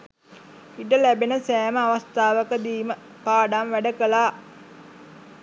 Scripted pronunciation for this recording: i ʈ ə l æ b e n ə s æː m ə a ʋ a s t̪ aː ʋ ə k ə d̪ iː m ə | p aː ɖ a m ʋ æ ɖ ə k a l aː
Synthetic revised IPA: i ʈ ə l æ b e n ə s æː m ə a ʋ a s t̪ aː ʋ ə k ə d̪ iː m ə | p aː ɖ a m ʋ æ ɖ ə k ə l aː